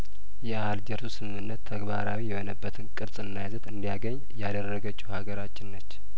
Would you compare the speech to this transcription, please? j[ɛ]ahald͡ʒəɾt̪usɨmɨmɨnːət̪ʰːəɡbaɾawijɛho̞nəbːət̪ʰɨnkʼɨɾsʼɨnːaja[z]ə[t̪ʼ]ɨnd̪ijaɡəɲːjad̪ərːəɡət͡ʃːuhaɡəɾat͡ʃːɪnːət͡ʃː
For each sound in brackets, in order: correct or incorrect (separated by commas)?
correct, correct, incorrect